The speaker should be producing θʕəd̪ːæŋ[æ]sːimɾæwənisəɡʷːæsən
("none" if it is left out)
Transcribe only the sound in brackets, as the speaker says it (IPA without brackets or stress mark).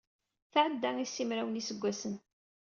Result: i